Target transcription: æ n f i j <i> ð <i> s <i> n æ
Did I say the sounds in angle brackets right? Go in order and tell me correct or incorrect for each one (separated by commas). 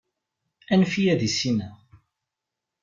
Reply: incorrect, correct, correct